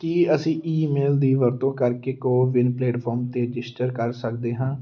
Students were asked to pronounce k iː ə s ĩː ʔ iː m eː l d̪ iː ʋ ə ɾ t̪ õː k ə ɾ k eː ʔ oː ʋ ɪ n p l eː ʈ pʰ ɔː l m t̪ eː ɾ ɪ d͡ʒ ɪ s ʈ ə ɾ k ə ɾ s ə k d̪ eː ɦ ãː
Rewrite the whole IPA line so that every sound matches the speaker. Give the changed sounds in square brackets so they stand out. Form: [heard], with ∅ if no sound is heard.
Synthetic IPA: k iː ə s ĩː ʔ iː m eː l d̪ iː ʋ ə ɾ t̪ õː k ə ɾ k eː [k] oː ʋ ɪ n p l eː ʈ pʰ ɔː [ɾ] m t̪ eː ɾ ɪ d͡ʒ ɪ s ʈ ə ɾ k ə ɾ s ə k d̪ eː ɦ ãː